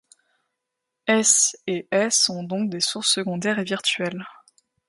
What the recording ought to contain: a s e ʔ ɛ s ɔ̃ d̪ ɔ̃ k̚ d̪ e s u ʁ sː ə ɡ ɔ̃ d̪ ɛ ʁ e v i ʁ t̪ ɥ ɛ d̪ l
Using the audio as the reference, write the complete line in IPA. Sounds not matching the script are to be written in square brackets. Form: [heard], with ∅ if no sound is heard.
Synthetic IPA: [ɛ] s e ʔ ɛ s ɔ̃ d̪ ɔ̃ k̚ d̪ e s u ʁ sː ə ɡ ɔ̃ d̪ ɛ ʁ e v i ʁ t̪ ɥ ɛ [∅] l